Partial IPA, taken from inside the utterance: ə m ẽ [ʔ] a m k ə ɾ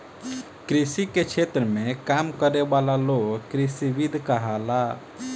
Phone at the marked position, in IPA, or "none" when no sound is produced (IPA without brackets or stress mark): k